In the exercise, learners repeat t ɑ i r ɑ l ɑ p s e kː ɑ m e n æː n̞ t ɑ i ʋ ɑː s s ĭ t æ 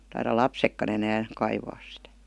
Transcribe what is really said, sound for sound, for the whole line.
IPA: t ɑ i r ɑ l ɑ p s e kː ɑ n e n æː n̞ k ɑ i ʋ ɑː s s ĭ t æ